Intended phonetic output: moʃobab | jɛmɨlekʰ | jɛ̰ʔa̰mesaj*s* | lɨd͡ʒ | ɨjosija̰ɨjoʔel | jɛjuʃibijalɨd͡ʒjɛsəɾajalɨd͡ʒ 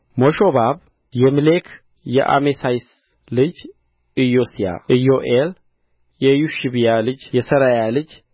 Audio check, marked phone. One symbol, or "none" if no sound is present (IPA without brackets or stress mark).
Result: s